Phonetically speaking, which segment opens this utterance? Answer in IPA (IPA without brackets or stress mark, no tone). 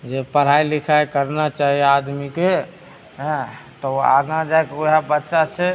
d͡ʒ